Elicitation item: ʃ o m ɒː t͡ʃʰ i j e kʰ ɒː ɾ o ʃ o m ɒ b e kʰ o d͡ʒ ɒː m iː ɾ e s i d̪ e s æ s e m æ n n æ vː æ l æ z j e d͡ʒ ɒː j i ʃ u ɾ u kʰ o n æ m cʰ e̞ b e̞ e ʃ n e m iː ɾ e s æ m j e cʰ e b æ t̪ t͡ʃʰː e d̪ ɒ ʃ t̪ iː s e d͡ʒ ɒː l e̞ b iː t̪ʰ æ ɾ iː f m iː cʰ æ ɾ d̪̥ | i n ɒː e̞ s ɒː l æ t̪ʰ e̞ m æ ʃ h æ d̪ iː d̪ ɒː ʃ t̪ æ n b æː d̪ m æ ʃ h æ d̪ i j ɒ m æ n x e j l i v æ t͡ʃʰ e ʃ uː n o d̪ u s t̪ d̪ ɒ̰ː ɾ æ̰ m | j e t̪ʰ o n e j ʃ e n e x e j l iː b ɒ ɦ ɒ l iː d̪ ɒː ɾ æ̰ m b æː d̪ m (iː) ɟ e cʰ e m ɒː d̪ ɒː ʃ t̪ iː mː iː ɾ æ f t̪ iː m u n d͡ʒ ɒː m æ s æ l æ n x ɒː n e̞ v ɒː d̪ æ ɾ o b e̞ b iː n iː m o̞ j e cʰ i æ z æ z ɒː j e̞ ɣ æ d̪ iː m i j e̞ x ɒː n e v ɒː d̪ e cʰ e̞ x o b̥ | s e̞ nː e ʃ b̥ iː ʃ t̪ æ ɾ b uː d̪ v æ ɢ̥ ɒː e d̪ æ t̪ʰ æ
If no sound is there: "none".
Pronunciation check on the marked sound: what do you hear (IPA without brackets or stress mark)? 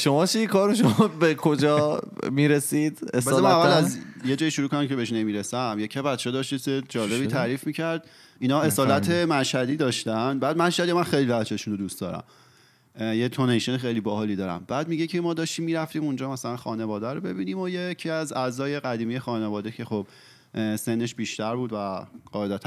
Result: i